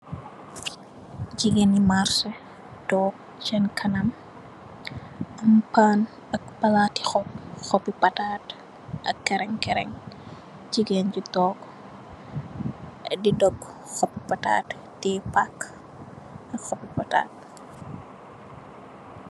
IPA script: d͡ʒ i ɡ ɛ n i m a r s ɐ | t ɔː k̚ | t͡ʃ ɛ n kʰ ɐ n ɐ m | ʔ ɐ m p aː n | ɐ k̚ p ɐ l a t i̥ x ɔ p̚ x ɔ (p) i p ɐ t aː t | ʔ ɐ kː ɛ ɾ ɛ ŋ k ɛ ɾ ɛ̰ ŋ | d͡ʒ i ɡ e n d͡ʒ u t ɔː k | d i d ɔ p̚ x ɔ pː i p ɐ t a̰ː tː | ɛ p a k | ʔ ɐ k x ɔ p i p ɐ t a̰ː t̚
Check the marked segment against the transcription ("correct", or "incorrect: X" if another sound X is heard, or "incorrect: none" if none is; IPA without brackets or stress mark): correct